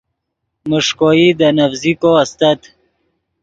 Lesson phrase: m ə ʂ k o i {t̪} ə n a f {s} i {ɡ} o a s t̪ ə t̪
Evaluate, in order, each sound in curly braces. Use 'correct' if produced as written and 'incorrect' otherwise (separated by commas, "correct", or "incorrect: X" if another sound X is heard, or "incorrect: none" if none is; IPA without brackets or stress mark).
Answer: incorrect: d̪, incorrect: z, incorrect: k